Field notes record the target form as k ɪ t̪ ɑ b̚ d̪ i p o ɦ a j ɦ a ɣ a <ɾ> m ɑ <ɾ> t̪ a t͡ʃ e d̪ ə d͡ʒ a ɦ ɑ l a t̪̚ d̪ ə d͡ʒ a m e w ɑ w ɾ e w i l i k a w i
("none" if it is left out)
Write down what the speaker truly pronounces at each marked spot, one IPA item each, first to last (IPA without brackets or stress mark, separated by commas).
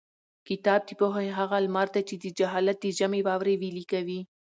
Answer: l, ɾ